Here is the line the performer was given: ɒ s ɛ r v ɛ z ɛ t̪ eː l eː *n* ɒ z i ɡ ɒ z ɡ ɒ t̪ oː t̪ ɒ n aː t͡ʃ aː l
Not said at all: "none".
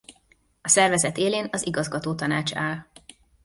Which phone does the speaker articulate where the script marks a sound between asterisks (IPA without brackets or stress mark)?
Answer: n